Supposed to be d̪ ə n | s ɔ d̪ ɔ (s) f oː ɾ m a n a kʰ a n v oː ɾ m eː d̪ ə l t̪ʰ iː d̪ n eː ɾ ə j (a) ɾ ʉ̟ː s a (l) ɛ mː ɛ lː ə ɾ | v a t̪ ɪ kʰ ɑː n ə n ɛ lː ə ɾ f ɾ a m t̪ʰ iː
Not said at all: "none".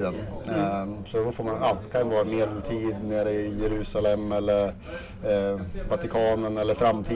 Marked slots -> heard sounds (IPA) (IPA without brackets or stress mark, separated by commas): none, ɛ, l